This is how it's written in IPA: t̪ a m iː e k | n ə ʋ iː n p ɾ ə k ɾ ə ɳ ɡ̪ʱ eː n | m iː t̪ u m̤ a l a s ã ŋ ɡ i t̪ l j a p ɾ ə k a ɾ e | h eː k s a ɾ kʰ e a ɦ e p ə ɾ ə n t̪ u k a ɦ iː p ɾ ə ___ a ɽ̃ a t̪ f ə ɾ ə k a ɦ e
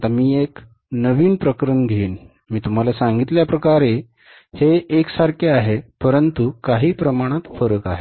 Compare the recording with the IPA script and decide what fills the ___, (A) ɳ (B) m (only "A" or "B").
B